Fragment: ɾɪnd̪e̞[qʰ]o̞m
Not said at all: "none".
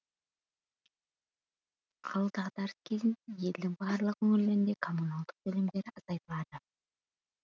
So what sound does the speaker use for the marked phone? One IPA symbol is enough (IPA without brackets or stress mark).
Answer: kʰ